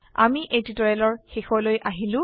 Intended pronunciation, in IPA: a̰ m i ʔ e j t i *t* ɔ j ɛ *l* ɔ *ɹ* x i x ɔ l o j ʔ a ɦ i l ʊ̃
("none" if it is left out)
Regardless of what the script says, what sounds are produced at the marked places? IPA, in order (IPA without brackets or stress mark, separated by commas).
t, l, ɹ